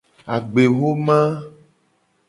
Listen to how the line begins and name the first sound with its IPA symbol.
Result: a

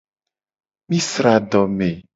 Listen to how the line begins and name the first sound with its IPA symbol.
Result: m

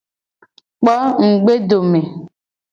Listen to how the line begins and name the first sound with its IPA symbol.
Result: k͡p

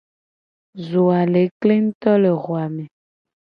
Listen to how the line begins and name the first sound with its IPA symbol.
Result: z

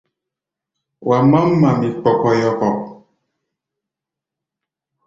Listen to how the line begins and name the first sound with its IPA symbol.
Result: w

